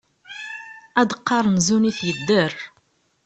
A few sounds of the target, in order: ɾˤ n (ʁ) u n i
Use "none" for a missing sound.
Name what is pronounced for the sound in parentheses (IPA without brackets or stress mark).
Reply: z